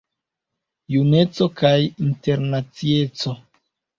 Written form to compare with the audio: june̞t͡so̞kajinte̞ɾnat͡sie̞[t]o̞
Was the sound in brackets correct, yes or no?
no